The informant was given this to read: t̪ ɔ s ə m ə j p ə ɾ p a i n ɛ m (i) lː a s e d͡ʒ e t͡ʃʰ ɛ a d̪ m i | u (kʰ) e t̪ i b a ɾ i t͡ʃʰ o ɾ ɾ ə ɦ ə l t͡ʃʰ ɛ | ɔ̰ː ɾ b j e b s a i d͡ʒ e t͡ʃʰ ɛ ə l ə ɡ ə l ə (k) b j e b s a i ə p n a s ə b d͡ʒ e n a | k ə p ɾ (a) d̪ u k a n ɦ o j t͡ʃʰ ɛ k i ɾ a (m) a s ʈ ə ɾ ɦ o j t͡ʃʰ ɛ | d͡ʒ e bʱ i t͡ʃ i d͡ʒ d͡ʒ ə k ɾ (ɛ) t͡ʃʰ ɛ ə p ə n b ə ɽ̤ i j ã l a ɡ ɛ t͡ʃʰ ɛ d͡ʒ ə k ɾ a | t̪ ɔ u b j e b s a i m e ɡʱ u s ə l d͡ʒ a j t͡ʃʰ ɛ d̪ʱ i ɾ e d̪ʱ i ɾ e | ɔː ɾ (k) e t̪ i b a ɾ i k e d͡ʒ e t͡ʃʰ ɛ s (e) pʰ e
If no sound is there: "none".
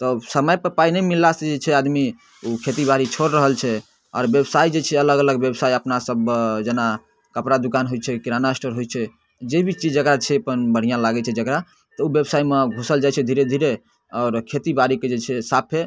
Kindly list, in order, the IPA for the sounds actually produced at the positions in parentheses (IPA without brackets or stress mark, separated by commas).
i, kʰ, ɡ, a, n, a, kʰ, a